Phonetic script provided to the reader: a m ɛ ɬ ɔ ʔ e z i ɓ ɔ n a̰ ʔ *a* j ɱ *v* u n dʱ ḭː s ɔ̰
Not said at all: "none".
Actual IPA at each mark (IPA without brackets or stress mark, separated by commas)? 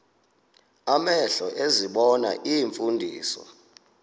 i, f